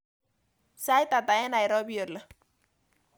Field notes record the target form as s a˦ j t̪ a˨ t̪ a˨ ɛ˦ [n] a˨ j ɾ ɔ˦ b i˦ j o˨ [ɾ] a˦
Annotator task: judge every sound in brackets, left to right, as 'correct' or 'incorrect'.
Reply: correct, incorrect: l

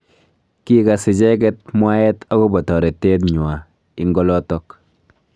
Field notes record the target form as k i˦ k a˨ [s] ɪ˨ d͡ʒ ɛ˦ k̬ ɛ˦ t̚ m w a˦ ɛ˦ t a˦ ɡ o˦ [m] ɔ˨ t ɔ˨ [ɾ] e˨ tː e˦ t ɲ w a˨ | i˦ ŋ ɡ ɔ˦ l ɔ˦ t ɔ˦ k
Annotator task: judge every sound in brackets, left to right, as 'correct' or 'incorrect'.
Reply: correct, incorrect: b, correct

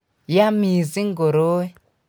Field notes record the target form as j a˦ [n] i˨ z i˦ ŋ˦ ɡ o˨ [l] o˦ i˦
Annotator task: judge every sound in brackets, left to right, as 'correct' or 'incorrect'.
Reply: incorrect: m, incorrect: ɾ

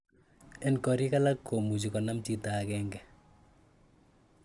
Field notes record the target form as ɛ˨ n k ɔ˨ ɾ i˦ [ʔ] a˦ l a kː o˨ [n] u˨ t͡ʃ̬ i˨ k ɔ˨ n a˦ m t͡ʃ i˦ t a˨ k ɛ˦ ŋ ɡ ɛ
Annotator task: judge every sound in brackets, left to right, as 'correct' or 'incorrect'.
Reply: incorrect: k, incorrect: m

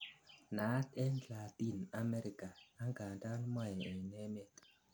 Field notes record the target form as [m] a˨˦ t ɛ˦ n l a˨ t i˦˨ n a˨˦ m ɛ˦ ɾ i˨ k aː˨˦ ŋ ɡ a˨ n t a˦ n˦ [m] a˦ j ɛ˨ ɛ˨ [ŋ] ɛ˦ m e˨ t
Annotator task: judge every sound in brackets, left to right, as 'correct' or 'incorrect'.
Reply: incorrect: n, correct, incorrect: n

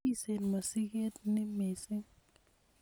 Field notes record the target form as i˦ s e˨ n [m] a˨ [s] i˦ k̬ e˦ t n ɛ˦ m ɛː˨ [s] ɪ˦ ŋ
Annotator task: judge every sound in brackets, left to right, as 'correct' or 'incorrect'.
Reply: correct, correct, correct

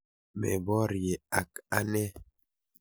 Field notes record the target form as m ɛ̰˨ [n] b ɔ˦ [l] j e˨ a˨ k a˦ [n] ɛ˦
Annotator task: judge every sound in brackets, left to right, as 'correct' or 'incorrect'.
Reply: incorrect: none, incorrect: ɾ, correct

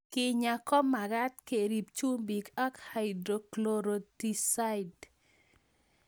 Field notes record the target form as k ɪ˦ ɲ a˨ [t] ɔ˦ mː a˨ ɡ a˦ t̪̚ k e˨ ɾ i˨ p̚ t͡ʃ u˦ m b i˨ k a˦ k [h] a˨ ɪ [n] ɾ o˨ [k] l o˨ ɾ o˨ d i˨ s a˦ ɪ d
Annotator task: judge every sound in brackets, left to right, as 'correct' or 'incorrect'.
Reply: incorrect: k, correct, incorrect: d, correct

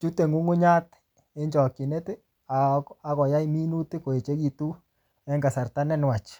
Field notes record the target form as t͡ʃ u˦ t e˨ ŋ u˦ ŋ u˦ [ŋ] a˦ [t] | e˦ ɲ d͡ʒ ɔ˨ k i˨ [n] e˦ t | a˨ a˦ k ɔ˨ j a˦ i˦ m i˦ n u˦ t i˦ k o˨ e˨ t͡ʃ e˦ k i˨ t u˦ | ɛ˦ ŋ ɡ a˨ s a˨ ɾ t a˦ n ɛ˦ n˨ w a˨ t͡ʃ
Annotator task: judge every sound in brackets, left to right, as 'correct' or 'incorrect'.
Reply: incorrect: ɲ, correct, correct

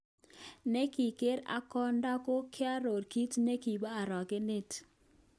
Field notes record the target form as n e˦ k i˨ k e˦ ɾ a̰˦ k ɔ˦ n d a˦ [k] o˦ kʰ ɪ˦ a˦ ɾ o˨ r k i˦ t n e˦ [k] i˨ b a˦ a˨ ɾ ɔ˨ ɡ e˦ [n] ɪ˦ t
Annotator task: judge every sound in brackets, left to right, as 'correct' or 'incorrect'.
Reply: correct, correct, correct

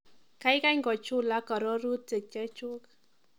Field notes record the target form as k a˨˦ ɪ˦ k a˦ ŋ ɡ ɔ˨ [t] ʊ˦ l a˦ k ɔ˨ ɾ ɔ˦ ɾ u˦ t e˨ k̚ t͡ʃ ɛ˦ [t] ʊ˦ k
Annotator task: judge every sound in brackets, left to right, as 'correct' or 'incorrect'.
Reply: incorrect: t͡ʃ, incorrect: t͡ʃ

